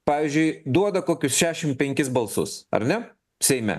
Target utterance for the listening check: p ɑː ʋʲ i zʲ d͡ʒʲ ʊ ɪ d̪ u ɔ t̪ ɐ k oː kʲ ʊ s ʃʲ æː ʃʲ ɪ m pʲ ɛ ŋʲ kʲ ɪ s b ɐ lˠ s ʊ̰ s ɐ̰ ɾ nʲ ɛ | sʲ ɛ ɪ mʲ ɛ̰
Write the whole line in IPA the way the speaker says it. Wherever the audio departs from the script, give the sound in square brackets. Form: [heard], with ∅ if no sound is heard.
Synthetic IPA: p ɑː ʋʲ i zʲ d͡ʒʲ ʊ ɪ d̪ u ɔ [d̪] ɐ k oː kʲ ʊ s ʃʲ æː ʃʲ ɪ m pʲ ɛ ŋʲ kʲ ɪ s b ɐ lˠ s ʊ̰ s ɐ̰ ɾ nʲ ɛ | sʲ ɛ ɪ mʲ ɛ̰

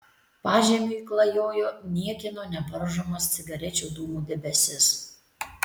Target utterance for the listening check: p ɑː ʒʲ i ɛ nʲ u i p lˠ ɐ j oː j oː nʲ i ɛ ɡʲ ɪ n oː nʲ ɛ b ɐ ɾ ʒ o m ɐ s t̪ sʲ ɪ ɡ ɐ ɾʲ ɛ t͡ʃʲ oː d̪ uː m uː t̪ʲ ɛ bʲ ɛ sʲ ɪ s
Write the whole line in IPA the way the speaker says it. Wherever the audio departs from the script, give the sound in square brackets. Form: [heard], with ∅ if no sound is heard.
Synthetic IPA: p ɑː ʒʲ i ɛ [mʲ] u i [k] lˠ ɐ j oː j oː nʲ i ɛ [kʲ] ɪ n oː nʲ ɛ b ɐ ɾ ʒ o m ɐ s t̪ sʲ ɪ ɡ ɐ ɾʲ ɛ t͡ʃʲ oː d̪ uː m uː [d̪ʲ] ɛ bʲ ɛ sʲ ɪ s

